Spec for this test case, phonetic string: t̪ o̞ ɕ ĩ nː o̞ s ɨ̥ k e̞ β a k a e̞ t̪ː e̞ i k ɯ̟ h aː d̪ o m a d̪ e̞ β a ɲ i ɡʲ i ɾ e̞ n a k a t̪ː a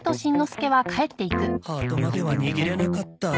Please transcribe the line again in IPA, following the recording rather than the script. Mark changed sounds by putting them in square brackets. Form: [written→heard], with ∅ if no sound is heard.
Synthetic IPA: t̪ o̞ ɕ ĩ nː o̞ s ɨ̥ k e̞ β a k a e̞ t̪ː e̞ i k ɯ̟ h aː [d̪→t̪] o m a d̪ e̞ β a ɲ i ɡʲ i ɾ e̞ n a k a t̪ː a